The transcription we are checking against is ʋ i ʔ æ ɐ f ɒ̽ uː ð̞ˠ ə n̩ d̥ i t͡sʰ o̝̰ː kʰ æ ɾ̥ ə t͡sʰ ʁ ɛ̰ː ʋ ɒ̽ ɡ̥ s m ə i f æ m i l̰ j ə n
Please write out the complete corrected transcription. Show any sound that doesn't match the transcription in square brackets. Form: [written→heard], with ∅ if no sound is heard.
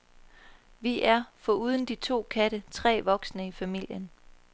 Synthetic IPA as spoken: ʋ i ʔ æ ɐ f ɒ̽ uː ð̞ˠ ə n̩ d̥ i t͡sʰ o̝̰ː kʰ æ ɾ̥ ə t͡sʰ ʁ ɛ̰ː ʋ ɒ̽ ɡ̥ s [m→n] ə i f æ m i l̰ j ə n